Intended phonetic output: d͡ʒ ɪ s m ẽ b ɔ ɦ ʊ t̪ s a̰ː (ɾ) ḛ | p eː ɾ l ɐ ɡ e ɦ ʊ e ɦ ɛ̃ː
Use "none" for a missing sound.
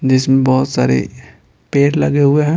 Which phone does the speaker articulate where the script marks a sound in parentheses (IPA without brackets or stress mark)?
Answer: ɾ